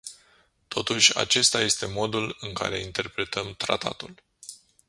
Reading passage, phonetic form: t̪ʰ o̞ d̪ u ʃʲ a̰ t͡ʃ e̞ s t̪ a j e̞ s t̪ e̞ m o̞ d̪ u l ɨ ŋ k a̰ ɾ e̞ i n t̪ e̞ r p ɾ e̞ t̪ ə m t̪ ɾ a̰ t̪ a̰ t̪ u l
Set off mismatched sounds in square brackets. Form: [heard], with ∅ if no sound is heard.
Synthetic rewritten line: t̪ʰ o̞ [t̪] u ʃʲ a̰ t͡ʃ e̞ s t̪ a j e̞ s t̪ e̞ m o̞ d̪ u l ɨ ŋ k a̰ ɾ e̞ i n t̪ e̞ r p ɾ e̞ t̪ ə m t̪ ɾ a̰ t̪ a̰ t̪ u l